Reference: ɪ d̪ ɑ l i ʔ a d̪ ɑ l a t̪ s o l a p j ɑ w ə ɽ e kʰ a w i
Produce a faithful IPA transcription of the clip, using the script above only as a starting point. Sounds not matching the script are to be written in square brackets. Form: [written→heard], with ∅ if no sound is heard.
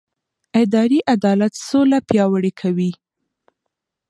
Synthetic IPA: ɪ d̪ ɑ [l→ɾ] i ʔ a d̪ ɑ l a t̪ s o l a p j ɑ w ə ɽ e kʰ a w i